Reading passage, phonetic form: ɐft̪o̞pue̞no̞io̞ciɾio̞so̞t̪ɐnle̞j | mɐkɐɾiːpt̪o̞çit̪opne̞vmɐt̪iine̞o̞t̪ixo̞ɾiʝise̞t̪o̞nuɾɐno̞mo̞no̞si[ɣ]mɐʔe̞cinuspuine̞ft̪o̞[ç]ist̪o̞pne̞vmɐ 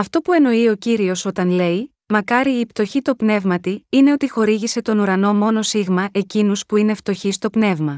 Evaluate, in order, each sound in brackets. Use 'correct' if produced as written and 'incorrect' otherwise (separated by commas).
correct, correct